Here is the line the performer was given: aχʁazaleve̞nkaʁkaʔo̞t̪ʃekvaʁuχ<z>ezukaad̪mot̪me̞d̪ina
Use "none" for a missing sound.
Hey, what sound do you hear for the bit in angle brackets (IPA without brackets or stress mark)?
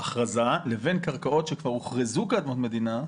ʁ